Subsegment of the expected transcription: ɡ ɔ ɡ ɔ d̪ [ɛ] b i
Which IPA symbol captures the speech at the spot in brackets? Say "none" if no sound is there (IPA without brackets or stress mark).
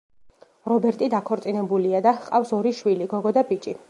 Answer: a